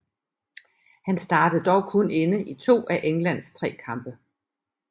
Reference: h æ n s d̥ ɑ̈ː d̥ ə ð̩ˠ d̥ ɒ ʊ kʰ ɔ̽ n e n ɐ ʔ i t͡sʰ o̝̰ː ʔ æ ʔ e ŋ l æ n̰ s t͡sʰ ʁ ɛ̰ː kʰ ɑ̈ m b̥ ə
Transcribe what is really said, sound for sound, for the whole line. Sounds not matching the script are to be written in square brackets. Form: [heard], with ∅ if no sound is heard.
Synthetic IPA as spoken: h æ n s d̥ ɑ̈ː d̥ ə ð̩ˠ d̥ ɒ ʊ kʰ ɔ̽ n e n [ə] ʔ i t͡sʰ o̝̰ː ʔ æ ʔ e ŋ l æ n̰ s t͡sʰ ʁ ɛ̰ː kʰ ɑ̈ m b̥ ə